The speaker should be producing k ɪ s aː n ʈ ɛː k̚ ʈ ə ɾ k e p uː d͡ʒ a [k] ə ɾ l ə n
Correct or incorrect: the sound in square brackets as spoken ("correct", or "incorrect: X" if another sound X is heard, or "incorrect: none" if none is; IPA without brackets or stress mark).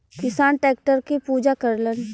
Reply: correct